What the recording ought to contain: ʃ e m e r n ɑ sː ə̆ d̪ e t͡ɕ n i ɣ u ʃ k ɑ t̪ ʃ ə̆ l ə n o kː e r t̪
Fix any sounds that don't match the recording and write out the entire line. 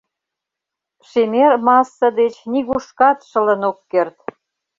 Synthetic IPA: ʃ e m e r m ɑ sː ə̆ d̪ e t͡ɕ n i ɣ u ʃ k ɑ t̪ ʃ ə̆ l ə n o kː e r t̪